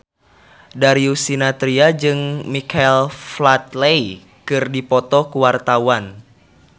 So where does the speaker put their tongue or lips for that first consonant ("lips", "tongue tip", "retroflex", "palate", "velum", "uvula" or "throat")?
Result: tongue tip